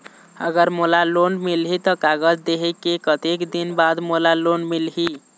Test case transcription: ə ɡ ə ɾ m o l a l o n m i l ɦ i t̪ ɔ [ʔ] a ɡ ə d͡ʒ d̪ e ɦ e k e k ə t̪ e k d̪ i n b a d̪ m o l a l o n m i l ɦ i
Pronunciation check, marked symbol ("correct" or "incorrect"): incorrect